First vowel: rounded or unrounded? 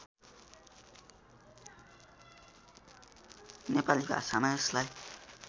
unrounded